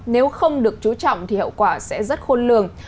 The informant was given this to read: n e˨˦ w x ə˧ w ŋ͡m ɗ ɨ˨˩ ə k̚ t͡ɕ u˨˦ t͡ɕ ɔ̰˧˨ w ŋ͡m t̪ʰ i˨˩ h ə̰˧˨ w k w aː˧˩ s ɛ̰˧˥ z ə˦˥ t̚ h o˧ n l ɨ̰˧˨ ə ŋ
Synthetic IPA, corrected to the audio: n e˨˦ w x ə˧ w ŋ͡m ɗ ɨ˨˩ ə k̚ t͡ɕ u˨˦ t͡ɕ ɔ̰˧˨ w ŋ͡m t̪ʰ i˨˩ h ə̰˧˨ w k w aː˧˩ s ɛ̰˧˥ z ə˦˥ t̚ x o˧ n l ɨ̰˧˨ ə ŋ